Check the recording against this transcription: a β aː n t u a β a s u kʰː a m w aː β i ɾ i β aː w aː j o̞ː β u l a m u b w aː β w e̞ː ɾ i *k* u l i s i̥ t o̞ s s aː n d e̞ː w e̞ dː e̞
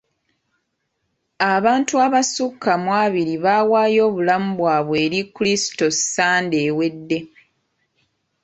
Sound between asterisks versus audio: correct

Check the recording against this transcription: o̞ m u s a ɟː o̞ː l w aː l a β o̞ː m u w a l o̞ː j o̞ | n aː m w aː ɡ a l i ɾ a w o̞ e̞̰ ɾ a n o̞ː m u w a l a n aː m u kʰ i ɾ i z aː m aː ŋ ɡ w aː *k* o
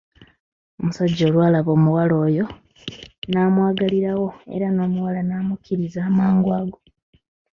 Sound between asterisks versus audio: incorrect: ɡ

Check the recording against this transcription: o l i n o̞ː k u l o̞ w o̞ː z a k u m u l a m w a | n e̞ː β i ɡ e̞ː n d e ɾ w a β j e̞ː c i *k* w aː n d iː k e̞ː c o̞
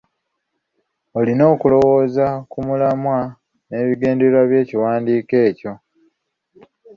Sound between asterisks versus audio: incorrect: none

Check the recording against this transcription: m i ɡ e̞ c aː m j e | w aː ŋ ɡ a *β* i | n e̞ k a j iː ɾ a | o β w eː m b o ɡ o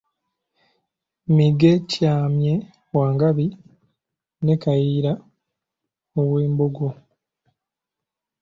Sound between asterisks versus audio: correct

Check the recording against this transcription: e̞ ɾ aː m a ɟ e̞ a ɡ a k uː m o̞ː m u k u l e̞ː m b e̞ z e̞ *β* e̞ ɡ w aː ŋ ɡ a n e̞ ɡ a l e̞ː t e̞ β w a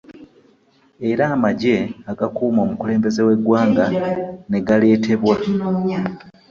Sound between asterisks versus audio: incorrect: w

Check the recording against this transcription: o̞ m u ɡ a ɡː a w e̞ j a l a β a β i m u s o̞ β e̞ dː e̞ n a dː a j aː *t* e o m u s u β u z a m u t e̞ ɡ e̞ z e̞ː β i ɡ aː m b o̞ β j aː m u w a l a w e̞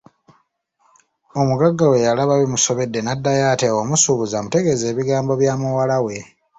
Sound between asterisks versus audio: correct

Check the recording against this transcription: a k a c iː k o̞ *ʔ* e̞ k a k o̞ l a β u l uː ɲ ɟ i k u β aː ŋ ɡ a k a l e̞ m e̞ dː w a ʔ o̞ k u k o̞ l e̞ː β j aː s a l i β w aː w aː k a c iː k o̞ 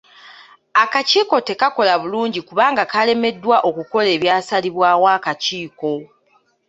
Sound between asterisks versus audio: incorrect: t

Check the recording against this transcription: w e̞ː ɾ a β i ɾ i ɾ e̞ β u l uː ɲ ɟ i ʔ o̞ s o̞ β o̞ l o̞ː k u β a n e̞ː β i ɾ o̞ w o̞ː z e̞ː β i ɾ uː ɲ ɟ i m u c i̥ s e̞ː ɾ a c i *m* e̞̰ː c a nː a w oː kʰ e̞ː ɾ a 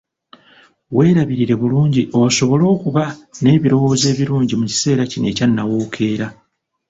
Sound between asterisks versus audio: incorrect: n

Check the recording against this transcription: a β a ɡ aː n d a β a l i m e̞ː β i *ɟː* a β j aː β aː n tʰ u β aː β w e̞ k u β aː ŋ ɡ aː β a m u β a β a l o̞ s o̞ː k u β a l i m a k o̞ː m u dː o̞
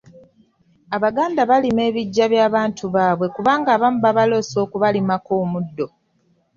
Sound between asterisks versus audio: correct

